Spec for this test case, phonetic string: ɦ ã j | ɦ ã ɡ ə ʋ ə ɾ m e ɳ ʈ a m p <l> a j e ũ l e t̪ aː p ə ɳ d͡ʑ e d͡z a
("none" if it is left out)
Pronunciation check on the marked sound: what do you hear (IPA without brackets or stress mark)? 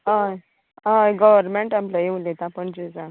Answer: l